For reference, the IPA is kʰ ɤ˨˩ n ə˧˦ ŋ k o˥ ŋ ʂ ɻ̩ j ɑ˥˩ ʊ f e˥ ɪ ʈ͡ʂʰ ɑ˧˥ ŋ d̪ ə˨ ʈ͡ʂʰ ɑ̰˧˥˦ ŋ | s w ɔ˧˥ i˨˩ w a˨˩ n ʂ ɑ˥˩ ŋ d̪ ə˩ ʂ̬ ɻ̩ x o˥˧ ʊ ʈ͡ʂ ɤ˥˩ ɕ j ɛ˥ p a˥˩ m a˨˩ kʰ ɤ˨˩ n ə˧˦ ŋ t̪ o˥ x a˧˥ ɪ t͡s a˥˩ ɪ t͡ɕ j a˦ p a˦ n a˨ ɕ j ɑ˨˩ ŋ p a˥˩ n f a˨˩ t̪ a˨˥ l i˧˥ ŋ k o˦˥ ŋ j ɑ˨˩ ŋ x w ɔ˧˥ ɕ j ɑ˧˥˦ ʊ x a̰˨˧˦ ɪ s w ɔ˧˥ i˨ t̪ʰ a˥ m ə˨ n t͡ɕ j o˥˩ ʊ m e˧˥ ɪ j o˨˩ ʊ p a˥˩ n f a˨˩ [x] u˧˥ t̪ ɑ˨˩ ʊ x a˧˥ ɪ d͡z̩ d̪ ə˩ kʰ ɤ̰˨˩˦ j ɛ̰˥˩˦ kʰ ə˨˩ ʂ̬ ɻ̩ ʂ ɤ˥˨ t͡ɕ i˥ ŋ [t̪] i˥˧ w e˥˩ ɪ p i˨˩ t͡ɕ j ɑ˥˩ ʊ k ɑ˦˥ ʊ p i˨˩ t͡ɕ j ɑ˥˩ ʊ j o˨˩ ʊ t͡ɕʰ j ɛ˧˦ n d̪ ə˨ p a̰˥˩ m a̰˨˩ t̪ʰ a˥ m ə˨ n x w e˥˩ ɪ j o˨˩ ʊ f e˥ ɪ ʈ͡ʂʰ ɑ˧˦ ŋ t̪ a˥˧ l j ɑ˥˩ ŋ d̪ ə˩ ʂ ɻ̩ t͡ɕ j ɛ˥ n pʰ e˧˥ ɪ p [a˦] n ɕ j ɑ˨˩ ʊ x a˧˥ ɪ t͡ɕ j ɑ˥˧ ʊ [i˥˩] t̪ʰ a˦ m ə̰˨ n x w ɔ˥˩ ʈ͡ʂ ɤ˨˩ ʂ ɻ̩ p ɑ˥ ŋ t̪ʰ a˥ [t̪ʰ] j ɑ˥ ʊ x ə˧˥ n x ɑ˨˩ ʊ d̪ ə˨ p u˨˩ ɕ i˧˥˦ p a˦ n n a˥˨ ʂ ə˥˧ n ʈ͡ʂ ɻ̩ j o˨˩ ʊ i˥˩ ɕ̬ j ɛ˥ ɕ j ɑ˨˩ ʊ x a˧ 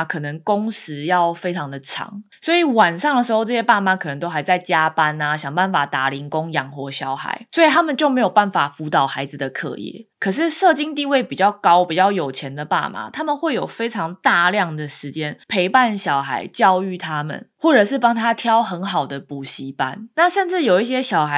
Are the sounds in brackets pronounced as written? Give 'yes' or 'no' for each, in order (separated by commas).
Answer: no, yes, no, no, yes